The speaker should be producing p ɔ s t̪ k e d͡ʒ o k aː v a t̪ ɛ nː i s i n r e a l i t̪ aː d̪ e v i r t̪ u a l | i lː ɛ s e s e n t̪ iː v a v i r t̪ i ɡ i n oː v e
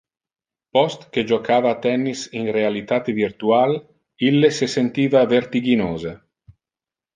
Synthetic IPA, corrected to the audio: p ɔ s t̪ k e d͡ʒ o k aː v a t̪ ɛ nː i s i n r e a l i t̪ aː t̪ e v i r t̪ u a l | i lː e s e s e n t̪ iː v a v e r t̪ i ɡ i n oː z e